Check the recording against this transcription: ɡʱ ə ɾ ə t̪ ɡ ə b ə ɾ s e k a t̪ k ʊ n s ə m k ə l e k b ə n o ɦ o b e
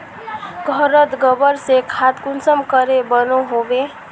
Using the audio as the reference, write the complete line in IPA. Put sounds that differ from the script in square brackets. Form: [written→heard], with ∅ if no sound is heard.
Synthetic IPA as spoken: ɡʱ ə ɾ ə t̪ ɡ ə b ə ɾ s e [k→kʰ] a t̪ k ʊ n s ə m k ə [l→ɾ] e [k→∅] b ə n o ɦ o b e